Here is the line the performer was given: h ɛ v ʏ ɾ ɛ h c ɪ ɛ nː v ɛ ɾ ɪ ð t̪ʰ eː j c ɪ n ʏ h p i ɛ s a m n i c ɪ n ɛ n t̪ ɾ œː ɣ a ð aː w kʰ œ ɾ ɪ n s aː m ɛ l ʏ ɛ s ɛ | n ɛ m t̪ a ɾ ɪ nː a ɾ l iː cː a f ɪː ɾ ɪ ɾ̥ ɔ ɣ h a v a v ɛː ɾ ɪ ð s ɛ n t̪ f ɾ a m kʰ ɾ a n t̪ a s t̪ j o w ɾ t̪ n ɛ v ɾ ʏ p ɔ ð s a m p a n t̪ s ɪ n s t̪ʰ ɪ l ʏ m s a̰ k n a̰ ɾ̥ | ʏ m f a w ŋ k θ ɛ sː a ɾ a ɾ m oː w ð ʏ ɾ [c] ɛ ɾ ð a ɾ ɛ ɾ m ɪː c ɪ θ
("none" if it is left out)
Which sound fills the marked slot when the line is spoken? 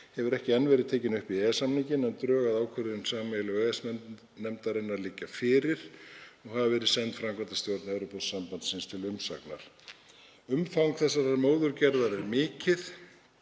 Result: c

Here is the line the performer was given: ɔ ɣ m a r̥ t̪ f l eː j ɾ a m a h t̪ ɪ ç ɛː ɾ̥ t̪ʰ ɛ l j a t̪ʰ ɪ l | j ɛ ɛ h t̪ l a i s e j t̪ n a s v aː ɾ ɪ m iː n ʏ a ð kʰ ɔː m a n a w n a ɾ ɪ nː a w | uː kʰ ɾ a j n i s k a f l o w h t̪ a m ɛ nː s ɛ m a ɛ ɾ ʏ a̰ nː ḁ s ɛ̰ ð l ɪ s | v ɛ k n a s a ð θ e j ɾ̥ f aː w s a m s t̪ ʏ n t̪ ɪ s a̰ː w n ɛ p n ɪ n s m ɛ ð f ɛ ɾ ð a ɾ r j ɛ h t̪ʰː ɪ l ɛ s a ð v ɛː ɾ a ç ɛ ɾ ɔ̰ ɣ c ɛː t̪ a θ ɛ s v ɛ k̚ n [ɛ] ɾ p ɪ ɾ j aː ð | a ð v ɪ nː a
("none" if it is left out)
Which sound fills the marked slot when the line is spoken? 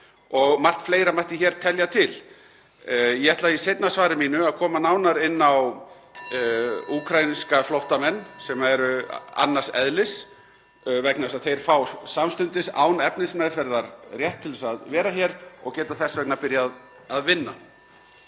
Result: a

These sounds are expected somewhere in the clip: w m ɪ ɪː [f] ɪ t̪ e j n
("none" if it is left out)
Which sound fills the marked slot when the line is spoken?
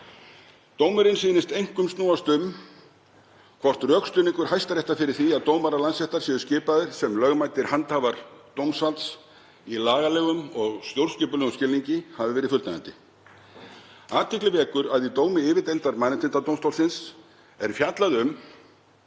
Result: v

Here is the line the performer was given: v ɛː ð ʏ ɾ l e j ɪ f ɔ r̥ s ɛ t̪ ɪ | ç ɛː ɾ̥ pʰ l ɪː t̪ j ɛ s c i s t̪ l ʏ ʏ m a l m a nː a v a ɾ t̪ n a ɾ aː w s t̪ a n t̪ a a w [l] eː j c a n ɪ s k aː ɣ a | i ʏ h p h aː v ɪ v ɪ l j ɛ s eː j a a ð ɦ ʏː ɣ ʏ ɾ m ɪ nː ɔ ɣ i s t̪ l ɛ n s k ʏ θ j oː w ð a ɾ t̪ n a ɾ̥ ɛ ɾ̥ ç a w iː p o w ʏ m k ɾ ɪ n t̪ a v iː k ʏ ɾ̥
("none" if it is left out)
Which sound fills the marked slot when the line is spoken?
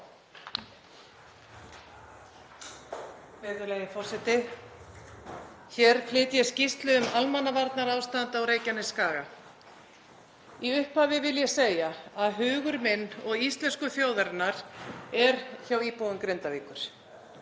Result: ɾ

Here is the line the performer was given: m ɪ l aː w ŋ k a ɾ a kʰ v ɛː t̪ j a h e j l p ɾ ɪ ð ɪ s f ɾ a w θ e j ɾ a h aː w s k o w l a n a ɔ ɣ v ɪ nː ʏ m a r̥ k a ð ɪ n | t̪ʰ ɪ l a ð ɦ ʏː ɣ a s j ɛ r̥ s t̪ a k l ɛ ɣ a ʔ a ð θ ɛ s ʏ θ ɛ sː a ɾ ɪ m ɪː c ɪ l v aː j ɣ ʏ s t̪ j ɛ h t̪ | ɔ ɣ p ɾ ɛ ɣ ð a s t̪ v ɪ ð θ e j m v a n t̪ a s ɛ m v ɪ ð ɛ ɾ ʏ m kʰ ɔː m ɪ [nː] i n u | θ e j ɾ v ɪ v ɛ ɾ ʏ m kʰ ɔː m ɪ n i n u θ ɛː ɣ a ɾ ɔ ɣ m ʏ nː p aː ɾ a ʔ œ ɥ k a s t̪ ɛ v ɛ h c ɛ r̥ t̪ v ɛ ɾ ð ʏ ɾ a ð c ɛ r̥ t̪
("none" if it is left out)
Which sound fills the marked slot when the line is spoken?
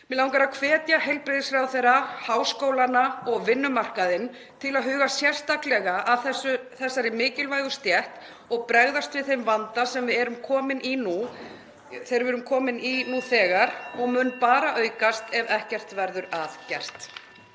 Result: n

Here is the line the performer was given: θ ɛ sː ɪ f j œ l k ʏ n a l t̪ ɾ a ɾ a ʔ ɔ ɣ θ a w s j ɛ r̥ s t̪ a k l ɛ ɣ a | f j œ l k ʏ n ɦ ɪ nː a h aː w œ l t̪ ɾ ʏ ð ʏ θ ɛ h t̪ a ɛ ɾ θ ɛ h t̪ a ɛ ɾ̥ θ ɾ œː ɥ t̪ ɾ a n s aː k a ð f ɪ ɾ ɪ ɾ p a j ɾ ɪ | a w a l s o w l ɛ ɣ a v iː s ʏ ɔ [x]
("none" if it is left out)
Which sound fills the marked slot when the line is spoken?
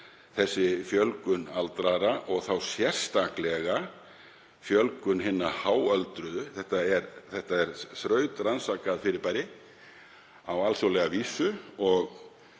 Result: ɣ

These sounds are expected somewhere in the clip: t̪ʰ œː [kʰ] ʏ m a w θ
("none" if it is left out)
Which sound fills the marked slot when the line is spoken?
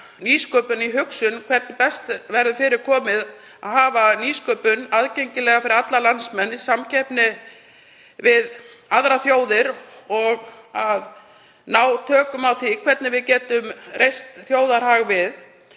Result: k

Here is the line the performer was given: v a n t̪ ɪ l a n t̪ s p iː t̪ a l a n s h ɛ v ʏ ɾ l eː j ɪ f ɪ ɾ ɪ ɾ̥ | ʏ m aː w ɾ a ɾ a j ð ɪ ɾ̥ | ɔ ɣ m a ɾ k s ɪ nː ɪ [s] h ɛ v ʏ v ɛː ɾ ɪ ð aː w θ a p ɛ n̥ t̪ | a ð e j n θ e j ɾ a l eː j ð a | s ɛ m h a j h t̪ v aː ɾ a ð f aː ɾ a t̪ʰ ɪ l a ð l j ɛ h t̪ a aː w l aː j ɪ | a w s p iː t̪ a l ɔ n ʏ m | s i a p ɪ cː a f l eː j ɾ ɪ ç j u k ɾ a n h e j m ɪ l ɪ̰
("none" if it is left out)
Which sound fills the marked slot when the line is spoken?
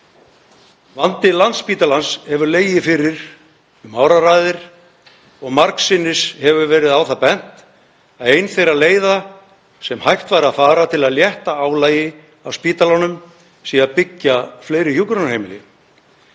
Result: s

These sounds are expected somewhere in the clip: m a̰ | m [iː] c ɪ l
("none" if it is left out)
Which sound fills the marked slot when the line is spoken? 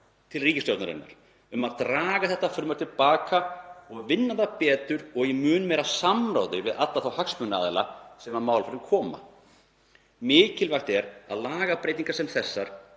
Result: ɪː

